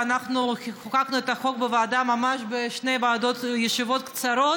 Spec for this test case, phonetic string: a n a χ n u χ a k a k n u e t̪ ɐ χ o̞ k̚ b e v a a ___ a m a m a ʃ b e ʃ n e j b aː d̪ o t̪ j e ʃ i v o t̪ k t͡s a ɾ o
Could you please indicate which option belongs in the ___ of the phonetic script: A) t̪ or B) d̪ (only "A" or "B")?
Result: B